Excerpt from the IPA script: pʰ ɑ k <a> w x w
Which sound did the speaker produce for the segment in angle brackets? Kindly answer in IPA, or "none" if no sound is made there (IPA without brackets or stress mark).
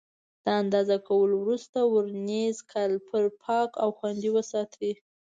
a